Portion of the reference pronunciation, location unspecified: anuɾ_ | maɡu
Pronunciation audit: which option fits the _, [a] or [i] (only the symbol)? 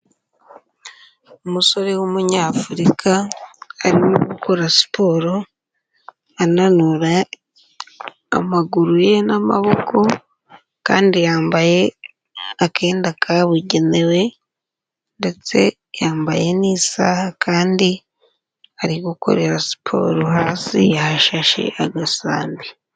a